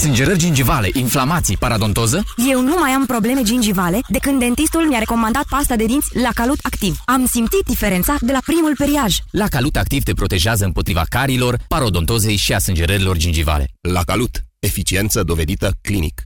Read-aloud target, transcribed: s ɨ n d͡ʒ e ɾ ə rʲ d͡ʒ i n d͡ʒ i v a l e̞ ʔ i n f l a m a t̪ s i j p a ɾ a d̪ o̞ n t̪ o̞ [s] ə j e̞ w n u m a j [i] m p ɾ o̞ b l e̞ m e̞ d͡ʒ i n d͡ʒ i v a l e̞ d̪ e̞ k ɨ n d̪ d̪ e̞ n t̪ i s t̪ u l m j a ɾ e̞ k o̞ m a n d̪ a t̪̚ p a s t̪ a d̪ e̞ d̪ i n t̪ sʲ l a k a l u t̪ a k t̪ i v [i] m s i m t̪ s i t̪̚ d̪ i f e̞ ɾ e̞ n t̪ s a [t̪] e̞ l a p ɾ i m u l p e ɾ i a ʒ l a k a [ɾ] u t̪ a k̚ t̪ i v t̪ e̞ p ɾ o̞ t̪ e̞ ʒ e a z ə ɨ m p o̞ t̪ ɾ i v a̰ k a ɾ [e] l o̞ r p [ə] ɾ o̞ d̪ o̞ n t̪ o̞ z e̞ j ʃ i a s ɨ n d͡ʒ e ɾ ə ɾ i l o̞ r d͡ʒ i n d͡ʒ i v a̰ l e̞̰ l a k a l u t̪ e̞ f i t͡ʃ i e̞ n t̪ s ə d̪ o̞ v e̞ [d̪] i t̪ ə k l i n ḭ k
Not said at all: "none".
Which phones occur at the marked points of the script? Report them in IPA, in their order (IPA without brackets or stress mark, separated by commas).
z, a, a, d̪, l, i, a, d̪